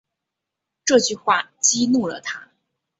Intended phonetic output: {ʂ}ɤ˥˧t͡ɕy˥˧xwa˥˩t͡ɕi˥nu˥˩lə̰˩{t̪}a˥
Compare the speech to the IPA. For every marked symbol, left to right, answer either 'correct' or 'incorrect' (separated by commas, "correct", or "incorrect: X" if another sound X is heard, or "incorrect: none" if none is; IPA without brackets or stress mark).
incorrect: ʈ͡ʂ, incorrect: t̪ʰ